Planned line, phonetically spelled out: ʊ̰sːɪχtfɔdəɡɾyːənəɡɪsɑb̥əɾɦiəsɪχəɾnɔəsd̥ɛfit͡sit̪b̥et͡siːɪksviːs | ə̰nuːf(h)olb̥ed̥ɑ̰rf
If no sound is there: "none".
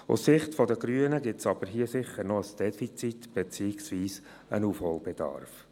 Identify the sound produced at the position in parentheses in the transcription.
h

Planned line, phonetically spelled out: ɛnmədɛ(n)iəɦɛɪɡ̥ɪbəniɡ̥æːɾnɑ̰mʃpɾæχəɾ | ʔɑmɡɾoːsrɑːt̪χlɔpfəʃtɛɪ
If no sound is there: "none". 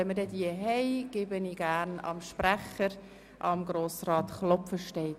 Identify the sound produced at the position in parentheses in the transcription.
d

